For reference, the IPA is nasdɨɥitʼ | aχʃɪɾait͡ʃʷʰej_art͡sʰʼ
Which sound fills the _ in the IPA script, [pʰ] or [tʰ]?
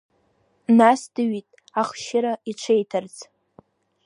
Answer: tʰ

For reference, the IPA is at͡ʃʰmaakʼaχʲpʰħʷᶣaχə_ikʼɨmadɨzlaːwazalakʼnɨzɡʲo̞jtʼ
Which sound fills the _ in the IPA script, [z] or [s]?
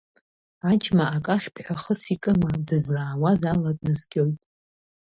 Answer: s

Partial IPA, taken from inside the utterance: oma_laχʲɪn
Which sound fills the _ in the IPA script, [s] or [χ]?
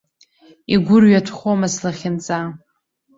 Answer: s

